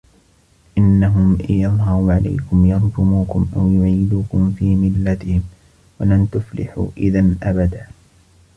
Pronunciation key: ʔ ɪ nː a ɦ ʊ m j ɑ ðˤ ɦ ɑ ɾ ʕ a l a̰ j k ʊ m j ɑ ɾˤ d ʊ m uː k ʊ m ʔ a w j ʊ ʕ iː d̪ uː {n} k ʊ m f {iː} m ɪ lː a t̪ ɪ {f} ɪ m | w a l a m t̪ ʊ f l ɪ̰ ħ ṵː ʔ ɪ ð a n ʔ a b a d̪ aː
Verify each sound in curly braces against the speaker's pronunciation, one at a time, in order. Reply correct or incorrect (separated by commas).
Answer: incorrect, correct, incorrect